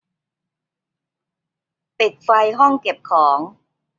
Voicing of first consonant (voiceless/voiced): voiceless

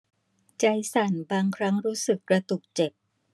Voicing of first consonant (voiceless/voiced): voiceless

